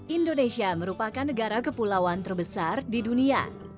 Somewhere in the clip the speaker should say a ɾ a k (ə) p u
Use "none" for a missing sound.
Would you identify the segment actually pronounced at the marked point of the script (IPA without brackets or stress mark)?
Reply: ə